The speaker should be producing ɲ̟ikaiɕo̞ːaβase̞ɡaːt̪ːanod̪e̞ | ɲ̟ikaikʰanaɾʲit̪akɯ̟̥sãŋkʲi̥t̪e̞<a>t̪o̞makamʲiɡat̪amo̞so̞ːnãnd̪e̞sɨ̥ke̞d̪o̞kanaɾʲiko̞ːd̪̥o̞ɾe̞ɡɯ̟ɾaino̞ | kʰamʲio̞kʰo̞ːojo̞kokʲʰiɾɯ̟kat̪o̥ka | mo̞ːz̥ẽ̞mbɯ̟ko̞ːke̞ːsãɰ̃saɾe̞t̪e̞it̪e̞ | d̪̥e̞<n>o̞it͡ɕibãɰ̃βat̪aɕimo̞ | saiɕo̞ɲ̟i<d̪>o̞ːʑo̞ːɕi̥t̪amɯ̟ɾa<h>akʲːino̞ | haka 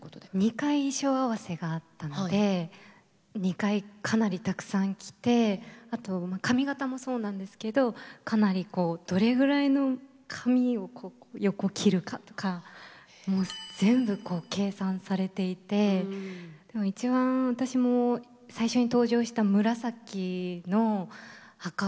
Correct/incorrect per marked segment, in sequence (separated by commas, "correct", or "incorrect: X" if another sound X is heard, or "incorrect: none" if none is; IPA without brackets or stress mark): correct, incorrect: m, incorrect: t̪, incorrect: s